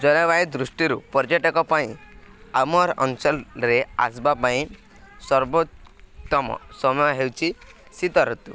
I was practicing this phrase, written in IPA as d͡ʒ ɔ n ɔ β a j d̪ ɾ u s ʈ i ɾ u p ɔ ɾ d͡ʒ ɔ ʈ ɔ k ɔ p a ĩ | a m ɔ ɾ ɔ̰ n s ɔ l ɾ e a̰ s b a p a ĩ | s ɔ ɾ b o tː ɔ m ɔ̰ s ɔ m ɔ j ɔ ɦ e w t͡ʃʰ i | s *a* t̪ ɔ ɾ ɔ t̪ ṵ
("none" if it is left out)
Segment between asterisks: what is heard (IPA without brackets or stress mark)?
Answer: i